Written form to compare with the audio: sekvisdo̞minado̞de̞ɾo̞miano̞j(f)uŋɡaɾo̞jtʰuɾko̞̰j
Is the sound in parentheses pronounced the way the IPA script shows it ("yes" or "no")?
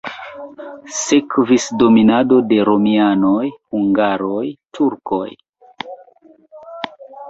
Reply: no